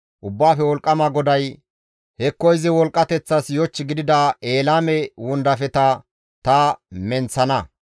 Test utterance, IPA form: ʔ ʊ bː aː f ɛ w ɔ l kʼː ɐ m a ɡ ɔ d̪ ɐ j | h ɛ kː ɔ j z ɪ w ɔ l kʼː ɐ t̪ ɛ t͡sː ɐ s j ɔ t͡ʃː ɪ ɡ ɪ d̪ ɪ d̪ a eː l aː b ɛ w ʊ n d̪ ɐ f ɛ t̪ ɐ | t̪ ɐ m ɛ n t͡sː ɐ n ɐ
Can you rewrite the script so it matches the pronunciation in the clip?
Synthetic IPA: ʔ ʊ bː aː f ɛ w ɔ l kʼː ɐ m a ɡ ɔ d̪ ɐ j | h ɛ kː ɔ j z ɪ w ɔ l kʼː ɐ t̪ ɛ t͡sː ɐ s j ɔ t͡ʃː ɪ ɡ ɪ d̪ ɪ d̪ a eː l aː m ɛ w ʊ n d̪ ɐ f ɛ t̪ ɐ | t̪ ɐ m ɛ n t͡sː ɐ n ɐ